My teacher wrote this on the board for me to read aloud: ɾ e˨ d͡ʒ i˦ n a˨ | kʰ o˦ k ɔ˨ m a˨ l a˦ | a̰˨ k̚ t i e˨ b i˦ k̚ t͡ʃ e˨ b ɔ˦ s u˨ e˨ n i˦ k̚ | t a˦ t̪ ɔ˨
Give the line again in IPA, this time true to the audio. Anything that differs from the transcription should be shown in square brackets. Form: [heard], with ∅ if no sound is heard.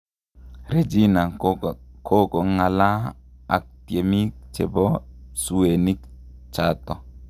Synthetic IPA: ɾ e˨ d͡ʒ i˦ n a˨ | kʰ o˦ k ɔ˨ [ŋ] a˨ l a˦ | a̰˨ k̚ t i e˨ [m] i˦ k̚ t͡ʃ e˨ b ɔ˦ s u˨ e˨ n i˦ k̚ | [t͡ʃ] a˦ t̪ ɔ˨